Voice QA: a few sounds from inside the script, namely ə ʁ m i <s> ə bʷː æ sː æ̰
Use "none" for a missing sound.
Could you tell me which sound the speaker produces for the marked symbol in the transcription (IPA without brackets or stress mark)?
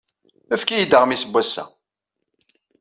s